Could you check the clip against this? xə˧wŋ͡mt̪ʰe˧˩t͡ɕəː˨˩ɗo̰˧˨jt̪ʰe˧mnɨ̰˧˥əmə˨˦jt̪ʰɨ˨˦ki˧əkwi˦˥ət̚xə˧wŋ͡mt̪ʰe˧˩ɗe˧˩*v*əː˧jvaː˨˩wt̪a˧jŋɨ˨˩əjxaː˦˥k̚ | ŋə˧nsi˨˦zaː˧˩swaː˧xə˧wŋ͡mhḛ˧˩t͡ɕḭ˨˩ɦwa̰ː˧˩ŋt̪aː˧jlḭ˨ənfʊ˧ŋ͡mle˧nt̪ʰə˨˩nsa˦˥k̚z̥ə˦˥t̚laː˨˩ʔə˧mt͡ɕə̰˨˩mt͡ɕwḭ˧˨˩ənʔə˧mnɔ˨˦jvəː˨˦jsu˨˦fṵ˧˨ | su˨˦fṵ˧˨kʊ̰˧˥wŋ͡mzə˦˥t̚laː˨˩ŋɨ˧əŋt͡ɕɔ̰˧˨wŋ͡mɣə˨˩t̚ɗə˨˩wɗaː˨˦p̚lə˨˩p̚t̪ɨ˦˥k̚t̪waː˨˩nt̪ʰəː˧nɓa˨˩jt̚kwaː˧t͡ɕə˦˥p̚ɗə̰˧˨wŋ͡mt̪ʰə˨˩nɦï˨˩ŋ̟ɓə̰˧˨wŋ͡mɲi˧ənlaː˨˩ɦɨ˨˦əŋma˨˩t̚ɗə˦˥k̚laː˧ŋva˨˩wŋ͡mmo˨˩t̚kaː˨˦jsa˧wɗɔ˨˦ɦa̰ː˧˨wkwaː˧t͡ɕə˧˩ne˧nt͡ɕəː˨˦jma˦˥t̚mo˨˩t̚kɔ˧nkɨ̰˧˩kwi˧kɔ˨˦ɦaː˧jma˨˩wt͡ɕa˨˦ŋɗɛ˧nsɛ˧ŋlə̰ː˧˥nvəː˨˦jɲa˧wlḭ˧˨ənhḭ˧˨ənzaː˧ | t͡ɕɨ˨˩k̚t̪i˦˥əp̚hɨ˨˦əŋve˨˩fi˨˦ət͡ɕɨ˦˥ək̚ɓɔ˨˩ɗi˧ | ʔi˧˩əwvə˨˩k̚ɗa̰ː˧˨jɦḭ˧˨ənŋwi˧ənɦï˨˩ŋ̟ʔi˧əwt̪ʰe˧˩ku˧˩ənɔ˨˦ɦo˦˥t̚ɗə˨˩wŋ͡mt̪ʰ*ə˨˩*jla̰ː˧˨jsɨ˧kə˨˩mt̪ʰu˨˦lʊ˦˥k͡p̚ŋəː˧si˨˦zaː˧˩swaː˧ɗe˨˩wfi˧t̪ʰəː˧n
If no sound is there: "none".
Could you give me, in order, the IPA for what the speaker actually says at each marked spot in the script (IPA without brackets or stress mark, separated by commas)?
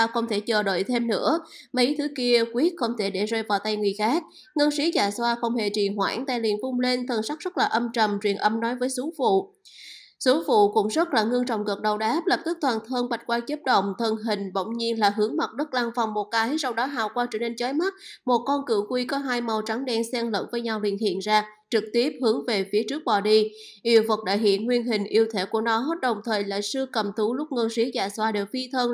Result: z, əː˨˩